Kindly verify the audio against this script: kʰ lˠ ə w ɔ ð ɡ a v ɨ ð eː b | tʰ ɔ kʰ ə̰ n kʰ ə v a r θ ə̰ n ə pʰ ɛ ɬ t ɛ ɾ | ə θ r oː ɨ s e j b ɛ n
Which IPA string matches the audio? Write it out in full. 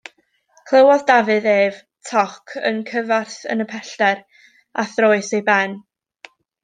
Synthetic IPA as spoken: kʰ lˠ ə w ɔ ð d a v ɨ ð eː v | tʰ ɔ kʰ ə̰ n kʰ ə v a r θ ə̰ n ə pʰ ɛ ɬ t ɛ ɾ | a θ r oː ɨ s e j b ɛ n

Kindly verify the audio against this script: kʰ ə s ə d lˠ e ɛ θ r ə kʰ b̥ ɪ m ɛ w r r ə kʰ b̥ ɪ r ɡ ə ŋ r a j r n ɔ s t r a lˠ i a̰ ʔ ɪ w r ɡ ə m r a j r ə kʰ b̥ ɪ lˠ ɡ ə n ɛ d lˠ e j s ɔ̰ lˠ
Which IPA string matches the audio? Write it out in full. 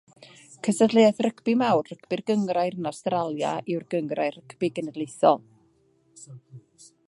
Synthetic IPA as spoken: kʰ ə s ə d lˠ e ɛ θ r ə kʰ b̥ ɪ m a w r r ə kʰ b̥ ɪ r ɡ ə ŋ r a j r n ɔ s t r a lˠ j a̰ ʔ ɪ w r ɡ ə ŋ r a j r ə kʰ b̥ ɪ ɡ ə n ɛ d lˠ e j θ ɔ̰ lˠ

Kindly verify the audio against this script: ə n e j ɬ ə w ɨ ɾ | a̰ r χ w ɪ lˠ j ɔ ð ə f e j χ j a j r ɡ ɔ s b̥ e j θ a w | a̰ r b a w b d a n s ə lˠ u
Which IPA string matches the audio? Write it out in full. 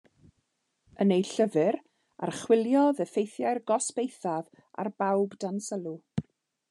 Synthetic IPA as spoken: ə n e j ɬ ə v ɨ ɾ | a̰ r χ w ɪ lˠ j ɔ ð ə f e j θ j a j r ɡ ɔ s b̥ e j θ a v | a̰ r b a w b d a n s ə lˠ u

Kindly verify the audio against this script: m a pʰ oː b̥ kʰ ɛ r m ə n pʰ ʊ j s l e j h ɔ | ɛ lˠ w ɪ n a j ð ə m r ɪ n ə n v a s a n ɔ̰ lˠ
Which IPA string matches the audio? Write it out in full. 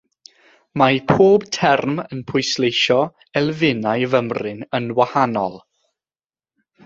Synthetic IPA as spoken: m a pʰ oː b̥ tʰ ɛ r m ə n pʰ ʊ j s l e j ʃ ɔ | ɛ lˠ v ɪ n a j v ə m r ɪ n ə n w a h a n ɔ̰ lˠ

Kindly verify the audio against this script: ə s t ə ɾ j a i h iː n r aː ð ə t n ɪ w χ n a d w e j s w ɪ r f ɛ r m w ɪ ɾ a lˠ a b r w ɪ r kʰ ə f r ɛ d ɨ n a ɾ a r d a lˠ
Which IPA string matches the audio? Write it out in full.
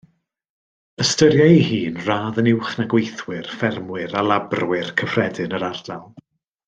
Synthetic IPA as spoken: ə s t ə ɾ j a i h iː n r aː ð ə n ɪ w χ n a ɡ w e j θ w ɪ r f ɛ r m w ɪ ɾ a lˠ a b r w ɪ r kʰ ə f r ɛ d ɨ n ə ɾ a r d a lˠ

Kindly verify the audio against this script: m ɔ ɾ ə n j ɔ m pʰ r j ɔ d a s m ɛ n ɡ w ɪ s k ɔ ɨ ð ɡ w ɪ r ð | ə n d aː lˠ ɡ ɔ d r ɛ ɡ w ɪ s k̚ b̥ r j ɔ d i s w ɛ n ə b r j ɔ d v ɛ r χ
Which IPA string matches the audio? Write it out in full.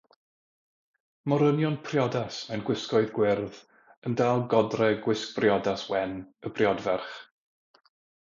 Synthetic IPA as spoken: m ɔ ɾ ə n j ɔ n pʰ r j ɔ d a s m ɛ n ɡ w ɪ s k ɔ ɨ ð ɡ w ɪ r ð | ə n d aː lˠ ɡ ɔ d r ɛ ɡ w ɪ s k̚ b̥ r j ɔ d a s w ɛ n ə b r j ɔ d v ɛ r χ

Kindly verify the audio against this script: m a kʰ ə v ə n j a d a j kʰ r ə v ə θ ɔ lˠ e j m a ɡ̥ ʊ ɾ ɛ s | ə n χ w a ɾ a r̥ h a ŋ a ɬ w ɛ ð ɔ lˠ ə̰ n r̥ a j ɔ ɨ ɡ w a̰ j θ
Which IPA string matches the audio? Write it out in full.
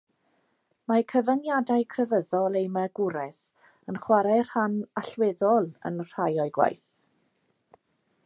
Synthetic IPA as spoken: m a kʰ ə v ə n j a d a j kʰ r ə v ə ð ɔ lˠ e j m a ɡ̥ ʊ ɾ ɛ s | ə n χ w a ɾ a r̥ h a n a ɬ w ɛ ð ɔ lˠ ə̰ n r̥ a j ɔ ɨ ɡ w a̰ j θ

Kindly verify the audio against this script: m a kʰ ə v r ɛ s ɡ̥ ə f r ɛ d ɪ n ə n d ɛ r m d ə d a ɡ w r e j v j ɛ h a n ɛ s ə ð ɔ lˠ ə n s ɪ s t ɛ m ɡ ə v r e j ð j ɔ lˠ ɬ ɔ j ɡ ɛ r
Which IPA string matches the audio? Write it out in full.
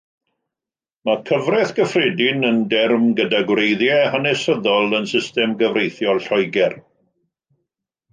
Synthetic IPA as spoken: m a kʰ ə v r ɛ θ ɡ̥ ə f r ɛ d ɪ n ə n d ɛ r m ɡ ə d a ɡ w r e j ð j ɛ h a n ɛ s ə ð ɔ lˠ ə n s ɪ s t ɛ m ɡ ə v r e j θ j ɔ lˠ ɬ ɔ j ɡ ɛ r

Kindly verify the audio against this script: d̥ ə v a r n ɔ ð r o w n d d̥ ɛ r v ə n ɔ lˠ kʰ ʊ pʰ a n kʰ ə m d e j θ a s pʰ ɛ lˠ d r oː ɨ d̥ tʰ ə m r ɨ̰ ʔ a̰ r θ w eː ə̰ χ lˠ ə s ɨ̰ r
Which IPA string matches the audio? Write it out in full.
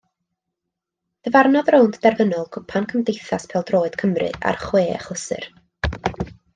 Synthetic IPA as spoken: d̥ ə v a r n ɔ ð r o w n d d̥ ɛ r v ə n ɔ lˠ kʰ ʊ pʰ a n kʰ ə m d e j θ a s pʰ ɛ lˠ d r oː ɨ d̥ kʰ ə m r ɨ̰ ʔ a̰ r χ w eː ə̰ χ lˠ ə s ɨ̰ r

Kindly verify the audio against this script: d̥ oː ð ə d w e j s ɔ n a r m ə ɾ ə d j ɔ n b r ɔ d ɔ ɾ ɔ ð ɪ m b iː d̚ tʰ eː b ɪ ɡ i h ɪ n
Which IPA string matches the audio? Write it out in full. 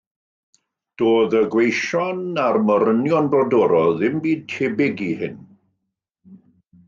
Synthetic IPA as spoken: d̥ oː ð ə ɡ w e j ʃ ɔ n a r m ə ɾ ə n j ɔ n b r ɔ d ɔ ɾ ɔ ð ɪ m b iː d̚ tʰ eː b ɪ ɡ i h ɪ n

